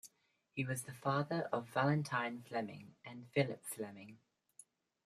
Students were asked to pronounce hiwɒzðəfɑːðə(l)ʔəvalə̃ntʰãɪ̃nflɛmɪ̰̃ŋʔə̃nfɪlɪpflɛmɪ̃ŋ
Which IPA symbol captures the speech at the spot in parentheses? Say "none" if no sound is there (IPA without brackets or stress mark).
ɹ